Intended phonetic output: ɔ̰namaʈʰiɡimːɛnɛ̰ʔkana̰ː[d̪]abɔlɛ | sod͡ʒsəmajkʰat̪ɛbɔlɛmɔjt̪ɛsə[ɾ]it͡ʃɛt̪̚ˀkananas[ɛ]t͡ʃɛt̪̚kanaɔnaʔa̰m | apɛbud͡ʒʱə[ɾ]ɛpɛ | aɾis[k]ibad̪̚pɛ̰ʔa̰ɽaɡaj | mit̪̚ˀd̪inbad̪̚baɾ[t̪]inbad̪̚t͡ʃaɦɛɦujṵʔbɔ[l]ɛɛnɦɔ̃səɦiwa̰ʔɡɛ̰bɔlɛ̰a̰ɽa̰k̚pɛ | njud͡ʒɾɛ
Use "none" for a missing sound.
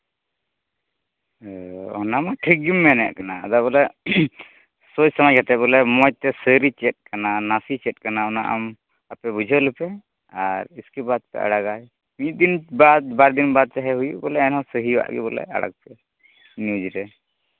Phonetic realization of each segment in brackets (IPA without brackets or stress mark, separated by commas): d̪, ɾ, i, l, k, d̪, l